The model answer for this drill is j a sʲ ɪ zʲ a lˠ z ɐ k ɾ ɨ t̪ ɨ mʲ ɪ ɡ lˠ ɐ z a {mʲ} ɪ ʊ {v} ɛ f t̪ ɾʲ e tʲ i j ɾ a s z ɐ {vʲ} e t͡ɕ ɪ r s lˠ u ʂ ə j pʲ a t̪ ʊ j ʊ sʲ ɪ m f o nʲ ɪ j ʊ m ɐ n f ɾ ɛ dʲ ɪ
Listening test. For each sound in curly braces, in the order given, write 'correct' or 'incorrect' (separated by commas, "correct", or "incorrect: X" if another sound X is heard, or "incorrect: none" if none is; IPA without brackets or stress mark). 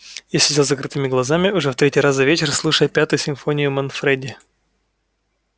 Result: correct, incorrect: ʐ, correct